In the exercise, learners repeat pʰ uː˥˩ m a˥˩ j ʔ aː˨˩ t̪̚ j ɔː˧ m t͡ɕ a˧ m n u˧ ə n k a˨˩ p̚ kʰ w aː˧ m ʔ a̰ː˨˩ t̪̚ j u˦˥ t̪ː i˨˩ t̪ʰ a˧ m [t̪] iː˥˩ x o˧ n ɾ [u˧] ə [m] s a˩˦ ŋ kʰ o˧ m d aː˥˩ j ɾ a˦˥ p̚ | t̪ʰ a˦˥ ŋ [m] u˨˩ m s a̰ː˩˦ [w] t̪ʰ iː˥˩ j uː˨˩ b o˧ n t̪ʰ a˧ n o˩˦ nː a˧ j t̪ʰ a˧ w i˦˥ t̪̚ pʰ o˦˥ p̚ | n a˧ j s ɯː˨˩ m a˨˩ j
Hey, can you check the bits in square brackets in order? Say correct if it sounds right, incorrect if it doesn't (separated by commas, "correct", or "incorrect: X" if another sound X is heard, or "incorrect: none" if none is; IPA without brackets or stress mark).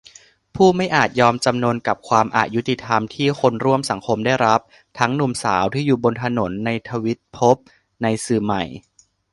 incorrect: t̪ʰ, incorrect: u˥˩, correct, incorrect: n, correct